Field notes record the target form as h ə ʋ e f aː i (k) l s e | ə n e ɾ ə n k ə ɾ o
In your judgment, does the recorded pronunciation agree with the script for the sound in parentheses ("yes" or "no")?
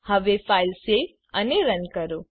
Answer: no